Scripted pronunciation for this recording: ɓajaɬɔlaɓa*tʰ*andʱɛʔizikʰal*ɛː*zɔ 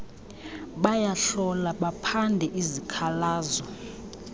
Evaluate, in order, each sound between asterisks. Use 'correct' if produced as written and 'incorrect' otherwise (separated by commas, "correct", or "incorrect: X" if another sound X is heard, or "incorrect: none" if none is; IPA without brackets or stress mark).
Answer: incorrect: pʰ, incorrect: aː